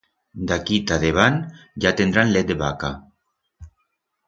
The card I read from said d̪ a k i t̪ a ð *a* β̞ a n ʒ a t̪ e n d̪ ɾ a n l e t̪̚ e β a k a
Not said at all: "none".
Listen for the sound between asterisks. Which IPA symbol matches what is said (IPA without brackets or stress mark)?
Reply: e